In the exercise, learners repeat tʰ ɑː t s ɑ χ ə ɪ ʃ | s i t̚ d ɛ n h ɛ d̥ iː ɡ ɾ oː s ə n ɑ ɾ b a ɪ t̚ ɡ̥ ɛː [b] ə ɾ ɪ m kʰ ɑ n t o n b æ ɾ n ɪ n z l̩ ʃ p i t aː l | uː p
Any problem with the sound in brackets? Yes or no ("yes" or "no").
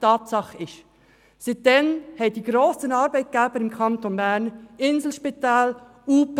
no